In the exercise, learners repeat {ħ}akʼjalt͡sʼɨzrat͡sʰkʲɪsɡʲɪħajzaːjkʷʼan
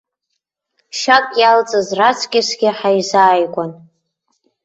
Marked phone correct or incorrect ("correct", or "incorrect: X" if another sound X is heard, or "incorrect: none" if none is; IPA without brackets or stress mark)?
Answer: incorrect: ʃ